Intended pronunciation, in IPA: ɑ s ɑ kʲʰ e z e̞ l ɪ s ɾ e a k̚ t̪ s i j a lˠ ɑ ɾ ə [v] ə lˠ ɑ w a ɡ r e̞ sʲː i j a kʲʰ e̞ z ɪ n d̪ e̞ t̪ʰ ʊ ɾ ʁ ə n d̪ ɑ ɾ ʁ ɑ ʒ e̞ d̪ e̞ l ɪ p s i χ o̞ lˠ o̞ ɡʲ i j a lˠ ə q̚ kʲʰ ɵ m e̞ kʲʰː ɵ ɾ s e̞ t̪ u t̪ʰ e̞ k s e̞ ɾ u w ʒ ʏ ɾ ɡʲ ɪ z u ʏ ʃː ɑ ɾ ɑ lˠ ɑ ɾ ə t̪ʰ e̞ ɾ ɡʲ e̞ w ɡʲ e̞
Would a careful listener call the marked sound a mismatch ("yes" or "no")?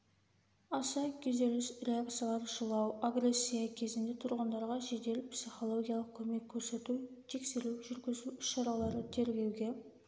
yes